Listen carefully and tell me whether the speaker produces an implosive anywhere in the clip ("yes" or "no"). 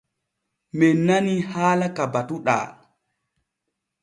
yes